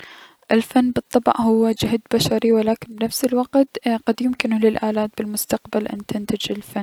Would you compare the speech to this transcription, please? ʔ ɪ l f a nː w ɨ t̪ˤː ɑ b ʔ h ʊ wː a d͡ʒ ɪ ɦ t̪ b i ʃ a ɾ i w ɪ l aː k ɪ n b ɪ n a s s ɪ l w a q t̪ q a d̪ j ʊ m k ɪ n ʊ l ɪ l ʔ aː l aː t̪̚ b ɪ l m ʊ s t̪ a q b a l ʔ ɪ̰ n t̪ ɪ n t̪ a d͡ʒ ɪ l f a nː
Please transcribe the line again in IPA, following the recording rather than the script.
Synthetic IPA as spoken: ʔ ɪ l f a nː b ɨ t̪ˤː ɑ b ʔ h ʊ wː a d͡ʒ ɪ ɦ d̪ b a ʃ a ɾ i w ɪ l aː k ɪ n b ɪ n a f s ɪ l w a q t̪ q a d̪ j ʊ m k ɪ n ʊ l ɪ l ʔ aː l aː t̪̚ b ɪ l m ʊ s t̪ a q b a l ʔ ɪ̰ n t̪ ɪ n t̪ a d͡ʒ ɪ l f a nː